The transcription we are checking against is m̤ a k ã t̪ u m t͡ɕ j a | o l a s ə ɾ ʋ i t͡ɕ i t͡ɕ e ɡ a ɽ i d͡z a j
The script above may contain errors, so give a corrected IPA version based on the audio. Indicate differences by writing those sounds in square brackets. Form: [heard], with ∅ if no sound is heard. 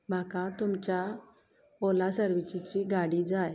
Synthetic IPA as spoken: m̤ a k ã t̪ u m t͡ɕ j a | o l a s ə ɾ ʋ i t͡ɕ i t͡ɕ [i] ɡ a ɽ i d͡z a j